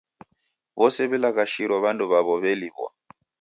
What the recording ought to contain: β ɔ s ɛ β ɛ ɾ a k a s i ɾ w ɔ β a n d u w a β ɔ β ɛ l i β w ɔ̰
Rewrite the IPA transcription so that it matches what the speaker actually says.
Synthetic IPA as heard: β ɔ s ɛ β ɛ l a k a ʃ i ɾ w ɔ β a n d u β a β ɔ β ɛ l i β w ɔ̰